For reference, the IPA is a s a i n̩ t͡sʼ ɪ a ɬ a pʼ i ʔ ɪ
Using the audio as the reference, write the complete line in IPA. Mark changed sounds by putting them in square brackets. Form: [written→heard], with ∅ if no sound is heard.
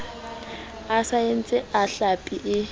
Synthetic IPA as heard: a s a [i→e] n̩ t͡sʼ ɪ a ɬ a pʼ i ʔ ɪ

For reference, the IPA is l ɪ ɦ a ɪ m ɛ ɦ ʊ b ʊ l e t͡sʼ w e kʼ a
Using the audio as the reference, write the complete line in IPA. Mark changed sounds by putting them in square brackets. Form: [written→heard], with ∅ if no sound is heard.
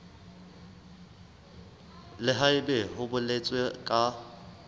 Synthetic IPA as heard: l ɪ ɦ a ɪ [m→b] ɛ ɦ ʊ b ʊ l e t͡sʼ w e kʼ a

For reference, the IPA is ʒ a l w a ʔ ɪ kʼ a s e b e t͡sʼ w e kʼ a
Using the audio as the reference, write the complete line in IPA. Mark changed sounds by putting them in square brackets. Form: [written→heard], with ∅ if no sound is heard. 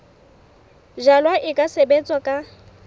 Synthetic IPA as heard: ʒ a l w a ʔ ɪ kʼ a s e b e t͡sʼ w [e→a] kʼ a

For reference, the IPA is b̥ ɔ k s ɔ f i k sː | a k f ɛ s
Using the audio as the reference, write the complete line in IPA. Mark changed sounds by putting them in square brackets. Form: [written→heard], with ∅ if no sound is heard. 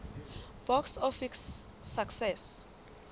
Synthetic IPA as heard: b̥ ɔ k s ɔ f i k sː | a k [f→s] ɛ s

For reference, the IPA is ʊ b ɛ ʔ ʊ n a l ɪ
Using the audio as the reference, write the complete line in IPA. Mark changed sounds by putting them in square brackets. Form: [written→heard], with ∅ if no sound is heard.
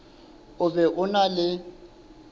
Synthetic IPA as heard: ʊ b ɛ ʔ ʊ n a l ɪ

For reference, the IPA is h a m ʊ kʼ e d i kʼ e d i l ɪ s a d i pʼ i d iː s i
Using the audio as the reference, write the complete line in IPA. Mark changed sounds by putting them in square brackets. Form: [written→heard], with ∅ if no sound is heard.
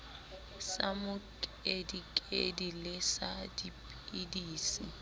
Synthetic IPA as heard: [h→s] a m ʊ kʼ e d i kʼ e d i l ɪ s a d i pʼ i d iː s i

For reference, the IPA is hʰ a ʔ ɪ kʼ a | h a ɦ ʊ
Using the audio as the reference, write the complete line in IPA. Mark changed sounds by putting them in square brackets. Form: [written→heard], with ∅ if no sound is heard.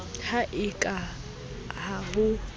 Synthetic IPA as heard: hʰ a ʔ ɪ kʼ a | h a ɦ ʊ

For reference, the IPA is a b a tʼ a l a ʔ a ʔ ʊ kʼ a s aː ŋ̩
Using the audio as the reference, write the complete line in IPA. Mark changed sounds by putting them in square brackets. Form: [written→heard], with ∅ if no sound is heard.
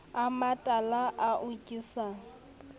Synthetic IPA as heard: a [b→m] a tʼ a l a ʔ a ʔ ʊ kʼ [a→i] s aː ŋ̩

